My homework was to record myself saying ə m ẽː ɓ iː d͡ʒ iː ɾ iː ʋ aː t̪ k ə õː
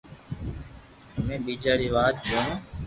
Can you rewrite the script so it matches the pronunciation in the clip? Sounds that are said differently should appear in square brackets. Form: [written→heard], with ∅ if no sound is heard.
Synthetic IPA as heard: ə m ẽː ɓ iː d͡ʒ [iː→aː] ɾ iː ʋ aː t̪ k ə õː